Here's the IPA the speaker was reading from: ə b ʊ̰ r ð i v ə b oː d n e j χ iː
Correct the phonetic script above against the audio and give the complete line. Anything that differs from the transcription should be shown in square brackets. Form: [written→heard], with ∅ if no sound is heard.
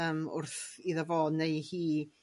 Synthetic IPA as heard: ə [b→m] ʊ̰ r [ð→θ] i [v→ð] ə [b→v] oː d n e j [χ→h] iː

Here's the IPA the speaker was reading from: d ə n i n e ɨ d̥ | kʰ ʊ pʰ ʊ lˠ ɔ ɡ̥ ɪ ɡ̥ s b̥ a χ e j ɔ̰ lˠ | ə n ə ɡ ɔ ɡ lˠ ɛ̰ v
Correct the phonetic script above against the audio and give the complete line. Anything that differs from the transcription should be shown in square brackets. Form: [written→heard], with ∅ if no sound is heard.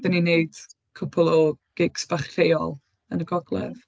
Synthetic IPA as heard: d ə n i n e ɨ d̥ | kʰ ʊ pʰ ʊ lˠ ɔ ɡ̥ ɪ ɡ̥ s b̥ a χ e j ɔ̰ lˠ | ə n ə ɡ ɔ ɡ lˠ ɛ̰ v

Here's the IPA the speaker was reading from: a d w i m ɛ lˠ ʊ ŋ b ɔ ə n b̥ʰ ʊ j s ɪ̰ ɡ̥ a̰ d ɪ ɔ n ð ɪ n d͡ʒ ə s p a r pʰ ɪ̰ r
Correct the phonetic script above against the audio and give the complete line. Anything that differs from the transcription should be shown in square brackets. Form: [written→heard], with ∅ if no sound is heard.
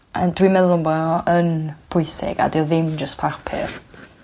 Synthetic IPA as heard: a d w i m ɛ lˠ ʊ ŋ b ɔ ə n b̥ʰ ʊ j s ɪ̰ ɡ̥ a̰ d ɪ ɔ [n→∅] ð ɪ [n→m] d͡ʒ ə s [p→pʰ] a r pʰ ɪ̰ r

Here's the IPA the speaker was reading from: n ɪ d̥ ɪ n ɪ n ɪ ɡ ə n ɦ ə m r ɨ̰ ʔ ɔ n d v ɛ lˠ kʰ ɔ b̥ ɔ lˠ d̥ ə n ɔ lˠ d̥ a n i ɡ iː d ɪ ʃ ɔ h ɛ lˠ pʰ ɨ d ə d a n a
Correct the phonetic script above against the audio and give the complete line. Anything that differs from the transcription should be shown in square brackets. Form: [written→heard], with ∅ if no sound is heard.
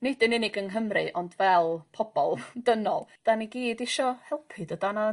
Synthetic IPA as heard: n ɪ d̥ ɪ n ɪ n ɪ ɡ ə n ɦ ə m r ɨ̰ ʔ ɔ n d v ɛ lˠ [kʰ→pʰ] ɔ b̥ ɔ lˠ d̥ ə n ɔ lˠ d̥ a n i ɡ iː d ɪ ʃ ɔ h ɛ lˠ pʰ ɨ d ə d a n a

